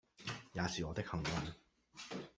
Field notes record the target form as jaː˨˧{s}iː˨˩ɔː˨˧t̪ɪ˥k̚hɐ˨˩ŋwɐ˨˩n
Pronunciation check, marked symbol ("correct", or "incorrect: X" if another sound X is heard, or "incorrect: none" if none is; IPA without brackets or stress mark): correct